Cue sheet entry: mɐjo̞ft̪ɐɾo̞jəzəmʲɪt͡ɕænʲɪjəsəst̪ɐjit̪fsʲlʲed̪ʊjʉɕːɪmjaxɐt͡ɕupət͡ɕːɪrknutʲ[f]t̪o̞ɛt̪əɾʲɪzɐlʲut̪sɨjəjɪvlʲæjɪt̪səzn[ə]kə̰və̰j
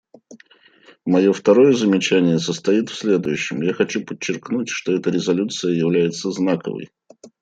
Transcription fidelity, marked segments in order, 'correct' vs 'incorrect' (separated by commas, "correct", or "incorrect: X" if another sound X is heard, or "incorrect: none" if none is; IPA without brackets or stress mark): incorrect: ʂ, incorrect: a